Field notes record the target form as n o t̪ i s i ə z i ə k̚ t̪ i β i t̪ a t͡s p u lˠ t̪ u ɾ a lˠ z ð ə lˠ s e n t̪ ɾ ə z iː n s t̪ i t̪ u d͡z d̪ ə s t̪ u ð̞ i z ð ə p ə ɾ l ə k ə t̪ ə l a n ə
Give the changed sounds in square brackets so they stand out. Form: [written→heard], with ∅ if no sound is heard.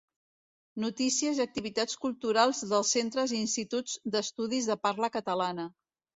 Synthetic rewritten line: n [o→u] t̪ i s i ə z i ə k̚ t̪ i β i t̪ a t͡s [p→k] u lˠ t̪ u ɾ a lˠ z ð ə lˠ s e n t̪ ɾ ə z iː n s t̪ i t̪ u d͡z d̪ ə s t̪ u ð̞ i z ð ə p [ə→a] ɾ l ə k ə t̪ ə l a n ə